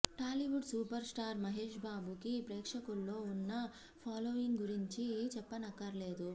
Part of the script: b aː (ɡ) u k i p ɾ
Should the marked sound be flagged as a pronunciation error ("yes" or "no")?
yes